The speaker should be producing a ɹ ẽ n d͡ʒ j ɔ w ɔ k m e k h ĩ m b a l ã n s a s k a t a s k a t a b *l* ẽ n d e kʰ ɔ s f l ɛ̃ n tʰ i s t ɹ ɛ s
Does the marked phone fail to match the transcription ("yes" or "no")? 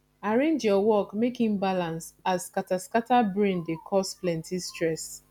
yes